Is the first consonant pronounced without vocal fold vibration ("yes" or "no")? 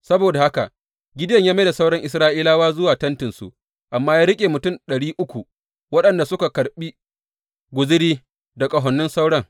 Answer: yes